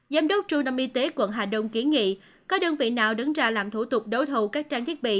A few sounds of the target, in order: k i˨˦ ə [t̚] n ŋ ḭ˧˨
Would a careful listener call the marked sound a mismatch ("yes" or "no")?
yes